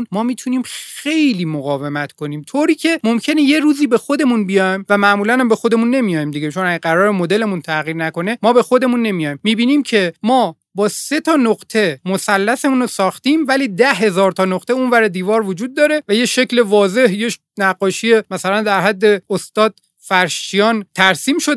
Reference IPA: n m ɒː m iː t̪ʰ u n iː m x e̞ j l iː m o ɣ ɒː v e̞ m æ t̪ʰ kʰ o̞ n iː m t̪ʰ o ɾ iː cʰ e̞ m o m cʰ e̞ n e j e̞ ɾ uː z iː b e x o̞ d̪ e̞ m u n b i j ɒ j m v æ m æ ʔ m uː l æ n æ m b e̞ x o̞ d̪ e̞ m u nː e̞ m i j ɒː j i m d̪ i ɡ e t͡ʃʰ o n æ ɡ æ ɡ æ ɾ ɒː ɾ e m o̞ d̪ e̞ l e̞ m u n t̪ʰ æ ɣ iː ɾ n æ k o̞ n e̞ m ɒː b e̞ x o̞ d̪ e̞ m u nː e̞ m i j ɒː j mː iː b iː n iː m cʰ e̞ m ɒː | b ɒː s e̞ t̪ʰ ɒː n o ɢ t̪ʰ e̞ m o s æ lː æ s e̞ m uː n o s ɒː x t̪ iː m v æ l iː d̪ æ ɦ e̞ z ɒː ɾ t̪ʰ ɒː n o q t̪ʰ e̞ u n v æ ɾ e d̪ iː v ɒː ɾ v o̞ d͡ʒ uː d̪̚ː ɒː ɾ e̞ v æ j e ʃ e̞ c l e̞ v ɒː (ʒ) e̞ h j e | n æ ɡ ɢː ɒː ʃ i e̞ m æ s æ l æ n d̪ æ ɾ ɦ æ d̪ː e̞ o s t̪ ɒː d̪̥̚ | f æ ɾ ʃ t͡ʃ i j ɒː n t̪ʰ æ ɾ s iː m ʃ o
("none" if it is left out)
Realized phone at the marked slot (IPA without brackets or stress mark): z